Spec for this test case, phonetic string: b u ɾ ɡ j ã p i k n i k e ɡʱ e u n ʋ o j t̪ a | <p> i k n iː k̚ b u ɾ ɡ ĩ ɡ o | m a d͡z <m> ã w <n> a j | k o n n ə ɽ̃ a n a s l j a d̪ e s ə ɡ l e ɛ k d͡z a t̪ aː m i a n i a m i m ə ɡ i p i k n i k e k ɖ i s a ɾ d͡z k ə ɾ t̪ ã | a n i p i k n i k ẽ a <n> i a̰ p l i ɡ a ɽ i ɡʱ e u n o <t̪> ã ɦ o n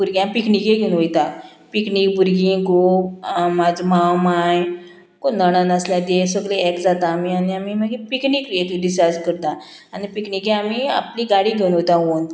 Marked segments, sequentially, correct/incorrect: correct, correct, incorrect: m, incorrect: m, correct

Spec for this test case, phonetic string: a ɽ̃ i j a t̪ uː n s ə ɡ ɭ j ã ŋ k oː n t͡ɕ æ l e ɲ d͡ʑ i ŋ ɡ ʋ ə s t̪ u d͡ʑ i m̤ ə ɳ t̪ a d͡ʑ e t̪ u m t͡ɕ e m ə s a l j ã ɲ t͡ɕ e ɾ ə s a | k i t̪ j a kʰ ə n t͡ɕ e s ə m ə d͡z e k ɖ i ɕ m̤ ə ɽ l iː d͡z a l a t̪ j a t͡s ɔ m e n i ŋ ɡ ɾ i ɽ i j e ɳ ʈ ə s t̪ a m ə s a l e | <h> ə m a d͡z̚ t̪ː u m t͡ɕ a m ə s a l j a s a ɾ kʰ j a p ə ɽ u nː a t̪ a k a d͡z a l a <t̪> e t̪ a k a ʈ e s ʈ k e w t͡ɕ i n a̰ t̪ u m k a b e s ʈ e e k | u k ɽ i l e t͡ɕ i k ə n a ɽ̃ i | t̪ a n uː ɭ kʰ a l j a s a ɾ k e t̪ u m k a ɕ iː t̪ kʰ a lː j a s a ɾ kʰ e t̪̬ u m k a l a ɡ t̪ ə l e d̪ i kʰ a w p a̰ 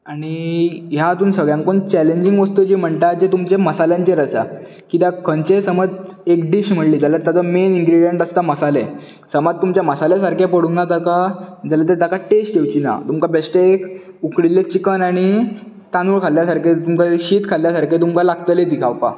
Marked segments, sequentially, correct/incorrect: incorrect: s, correct

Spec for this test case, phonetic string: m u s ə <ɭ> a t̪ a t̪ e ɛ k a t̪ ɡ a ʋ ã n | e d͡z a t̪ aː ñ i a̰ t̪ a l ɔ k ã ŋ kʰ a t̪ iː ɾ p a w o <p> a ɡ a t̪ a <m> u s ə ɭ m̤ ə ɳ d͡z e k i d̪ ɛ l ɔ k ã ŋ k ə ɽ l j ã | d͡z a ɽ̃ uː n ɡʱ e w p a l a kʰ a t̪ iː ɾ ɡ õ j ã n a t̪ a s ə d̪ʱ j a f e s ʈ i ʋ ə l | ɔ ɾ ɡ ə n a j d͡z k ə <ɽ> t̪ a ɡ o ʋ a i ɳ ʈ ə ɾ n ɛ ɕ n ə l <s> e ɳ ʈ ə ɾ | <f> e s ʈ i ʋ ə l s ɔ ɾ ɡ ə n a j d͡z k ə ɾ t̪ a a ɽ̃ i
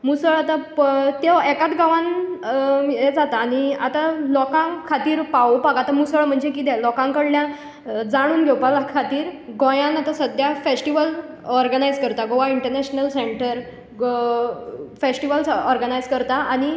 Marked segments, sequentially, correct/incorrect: correct, correct, correct, incorrect: ɾ, correct, correct

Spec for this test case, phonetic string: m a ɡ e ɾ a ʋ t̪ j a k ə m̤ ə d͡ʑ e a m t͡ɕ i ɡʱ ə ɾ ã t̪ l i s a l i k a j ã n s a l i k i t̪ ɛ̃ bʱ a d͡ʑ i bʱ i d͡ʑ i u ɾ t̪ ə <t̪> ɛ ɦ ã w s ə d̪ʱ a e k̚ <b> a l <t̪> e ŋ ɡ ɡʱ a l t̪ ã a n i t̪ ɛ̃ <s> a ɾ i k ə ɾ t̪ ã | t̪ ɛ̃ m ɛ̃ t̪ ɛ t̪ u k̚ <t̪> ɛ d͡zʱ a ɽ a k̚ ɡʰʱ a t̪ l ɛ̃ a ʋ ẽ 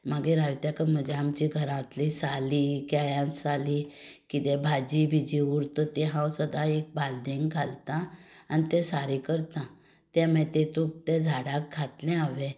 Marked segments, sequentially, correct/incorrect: correct, correct, incorrect: d̪, correct, correct

